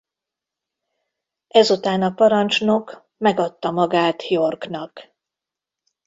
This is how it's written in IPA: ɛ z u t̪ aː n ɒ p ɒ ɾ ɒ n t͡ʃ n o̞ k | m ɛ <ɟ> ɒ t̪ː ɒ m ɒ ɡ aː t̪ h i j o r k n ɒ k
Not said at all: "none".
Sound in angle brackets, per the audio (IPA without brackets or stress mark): ɡ